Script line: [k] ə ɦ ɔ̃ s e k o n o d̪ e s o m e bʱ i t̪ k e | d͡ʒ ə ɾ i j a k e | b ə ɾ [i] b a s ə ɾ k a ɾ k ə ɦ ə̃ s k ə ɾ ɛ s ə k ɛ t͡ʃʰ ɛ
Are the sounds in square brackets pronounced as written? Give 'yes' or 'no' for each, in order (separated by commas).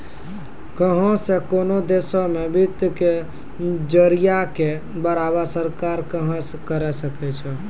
yes, no